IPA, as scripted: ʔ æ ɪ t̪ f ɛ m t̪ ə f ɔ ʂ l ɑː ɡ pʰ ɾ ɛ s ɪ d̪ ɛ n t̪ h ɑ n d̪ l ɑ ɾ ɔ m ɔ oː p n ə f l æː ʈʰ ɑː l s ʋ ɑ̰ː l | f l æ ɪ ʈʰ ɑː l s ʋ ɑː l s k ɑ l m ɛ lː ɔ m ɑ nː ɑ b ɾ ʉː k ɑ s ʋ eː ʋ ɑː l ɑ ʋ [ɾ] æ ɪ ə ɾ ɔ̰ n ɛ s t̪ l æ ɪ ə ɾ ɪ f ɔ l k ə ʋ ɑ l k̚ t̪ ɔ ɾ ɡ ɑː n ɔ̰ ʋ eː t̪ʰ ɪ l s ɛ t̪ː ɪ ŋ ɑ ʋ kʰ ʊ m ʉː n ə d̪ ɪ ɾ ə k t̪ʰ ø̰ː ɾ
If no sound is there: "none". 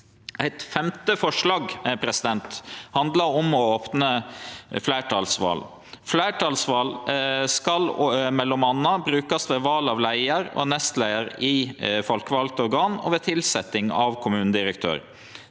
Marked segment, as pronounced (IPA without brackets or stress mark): l